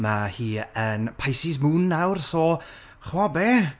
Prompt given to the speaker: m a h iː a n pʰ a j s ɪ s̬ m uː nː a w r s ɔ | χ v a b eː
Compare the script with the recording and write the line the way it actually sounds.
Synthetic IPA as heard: m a h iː ə n pʰ a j s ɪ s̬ m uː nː a w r s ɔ | χ w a b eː